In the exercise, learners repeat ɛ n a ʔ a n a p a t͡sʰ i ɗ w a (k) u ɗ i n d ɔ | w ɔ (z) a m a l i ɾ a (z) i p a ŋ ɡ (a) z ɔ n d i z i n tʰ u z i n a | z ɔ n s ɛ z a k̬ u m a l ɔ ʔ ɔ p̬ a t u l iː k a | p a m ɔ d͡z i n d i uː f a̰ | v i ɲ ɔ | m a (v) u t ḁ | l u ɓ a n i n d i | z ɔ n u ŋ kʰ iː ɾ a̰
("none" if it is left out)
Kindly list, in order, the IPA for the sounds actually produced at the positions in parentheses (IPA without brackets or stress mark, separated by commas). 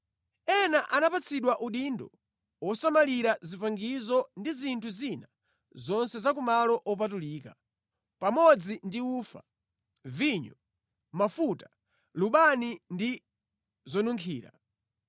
ʔ, s, z, i, f